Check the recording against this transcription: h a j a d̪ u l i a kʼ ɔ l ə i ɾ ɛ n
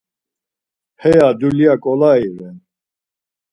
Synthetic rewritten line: h ɛ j a d̪ u l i a kʼ ɔ l a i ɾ ɛ n